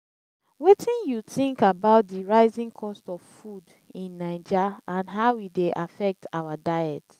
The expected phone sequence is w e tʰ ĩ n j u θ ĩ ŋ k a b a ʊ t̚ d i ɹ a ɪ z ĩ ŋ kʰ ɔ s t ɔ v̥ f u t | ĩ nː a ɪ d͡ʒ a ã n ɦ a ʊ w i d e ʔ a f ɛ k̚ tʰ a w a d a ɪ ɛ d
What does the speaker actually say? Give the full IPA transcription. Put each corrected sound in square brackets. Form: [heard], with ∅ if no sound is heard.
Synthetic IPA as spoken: w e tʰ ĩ n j u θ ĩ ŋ k a b a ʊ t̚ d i ɹ a ɪ z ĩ ŋ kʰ ɔ s t ɔ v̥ f u [d] | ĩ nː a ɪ d͡ʒ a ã n ɦ a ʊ w i d e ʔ a f ɛ k̚ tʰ a w a d a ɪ ɛ [t]